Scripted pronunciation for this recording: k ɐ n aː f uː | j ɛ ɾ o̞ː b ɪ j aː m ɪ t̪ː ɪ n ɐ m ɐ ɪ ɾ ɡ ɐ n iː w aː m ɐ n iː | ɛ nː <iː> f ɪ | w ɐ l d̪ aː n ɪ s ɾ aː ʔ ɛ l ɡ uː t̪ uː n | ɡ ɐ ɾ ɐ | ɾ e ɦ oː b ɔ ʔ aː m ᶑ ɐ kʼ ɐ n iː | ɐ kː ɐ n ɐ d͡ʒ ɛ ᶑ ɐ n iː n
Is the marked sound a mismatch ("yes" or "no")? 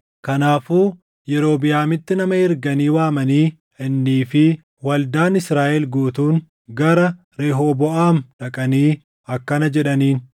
no